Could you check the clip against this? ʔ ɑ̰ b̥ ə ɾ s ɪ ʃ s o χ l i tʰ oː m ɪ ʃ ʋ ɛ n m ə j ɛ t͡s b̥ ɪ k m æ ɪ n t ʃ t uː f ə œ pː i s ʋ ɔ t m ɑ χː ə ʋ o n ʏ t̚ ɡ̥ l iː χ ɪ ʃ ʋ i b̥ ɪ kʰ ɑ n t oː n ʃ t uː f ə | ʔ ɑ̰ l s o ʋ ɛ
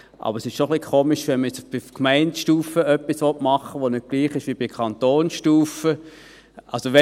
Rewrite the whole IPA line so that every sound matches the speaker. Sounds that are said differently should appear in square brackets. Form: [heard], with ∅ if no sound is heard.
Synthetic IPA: ʔ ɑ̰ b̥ ə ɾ s ɪ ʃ [ʃ] o χ l i [kʰ] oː m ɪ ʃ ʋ ɛ n m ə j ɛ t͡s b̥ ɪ k m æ ɪ n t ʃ t uː f ə œ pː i s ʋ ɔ t m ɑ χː ə ʋ o n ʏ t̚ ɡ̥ l iː χ ɪ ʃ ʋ i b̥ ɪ kʰ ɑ n t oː n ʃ t uː f ə | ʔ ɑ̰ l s o ʋ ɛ